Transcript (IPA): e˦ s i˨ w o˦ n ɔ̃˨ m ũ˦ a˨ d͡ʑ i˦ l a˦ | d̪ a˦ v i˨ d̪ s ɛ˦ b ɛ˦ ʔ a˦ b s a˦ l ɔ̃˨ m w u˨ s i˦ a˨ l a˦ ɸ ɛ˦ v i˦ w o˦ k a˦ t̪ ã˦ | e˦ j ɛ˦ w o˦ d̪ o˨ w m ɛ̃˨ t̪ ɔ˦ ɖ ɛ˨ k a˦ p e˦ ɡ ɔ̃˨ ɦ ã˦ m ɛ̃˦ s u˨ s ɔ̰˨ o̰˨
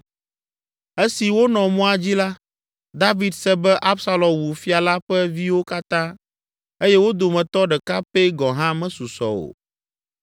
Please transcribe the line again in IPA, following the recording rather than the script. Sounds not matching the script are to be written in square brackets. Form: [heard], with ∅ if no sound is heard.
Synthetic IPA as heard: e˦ s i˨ w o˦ n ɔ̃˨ m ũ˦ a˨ d͡ʑ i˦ l a˦ | d̪ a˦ v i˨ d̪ s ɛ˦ b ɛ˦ ʔ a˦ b s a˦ l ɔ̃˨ m w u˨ [f] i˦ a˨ l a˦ ɸ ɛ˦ v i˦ w o˦ k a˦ t̪ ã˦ | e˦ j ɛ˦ w o˦ d̪ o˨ [∅] m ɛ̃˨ t̪ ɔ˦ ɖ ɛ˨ k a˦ p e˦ ɡ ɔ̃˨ ɦ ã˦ m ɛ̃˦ s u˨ s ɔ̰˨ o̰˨